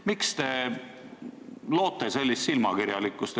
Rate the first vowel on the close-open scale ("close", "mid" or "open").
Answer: close